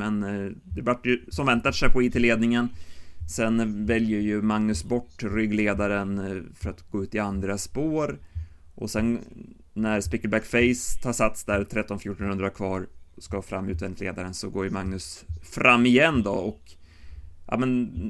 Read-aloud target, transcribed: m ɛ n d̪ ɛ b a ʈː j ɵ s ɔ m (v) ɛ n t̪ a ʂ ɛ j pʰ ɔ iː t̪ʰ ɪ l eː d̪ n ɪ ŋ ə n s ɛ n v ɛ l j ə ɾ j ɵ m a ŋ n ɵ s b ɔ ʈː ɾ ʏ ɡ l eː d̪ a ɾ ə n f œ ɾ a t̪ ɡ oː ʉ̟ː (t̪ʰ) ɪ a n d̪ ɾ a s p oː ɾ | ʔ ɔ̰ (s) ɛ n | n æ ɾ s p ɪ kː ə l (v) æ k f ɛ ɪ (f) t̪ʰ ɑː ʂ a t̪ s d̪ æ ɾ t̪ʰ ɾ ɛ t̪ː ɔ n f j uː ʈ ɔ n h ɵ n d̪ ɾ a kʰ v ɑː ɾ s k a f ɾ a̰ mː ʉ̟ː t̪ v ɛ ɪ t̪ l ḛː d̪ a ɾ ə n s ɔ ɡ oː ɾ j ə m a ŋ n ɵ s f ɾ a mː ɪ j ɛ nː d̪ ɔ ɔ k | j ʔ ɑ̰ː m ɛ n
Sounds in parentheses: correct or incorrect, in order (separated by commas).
correct, incorrect, correct, incorrect, incorrect